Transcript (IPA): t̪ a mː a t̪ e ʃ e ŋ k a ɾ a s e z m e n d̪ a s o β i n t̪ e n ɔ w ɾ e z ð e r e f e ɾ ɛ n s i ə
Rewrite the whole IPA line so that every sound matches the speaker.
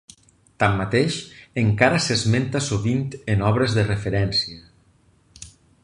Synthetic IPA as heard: t̪ a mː a t̪ e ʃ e ŋ k a ɾ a s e z m e n t̪ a s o β i n t̪ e n ɔ β ɾ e z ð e r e f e ɾ ɛ n s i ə